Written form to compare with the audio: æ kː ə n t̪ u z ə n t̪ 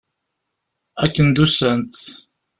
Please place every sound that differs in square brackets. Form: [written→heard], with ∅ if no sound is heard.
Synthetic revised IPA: æ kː ə n [t̪→d̪] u [z→s] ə n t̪